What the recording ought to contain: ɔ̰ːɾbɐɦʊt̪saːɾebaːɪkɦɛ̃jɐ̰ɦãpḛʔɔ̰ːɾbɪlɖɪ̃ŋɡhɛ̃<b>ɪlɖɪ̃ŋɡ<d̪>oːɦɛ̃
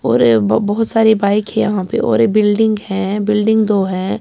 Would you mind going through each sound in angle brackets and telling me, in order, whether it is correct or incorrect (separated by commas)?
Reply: correct, correct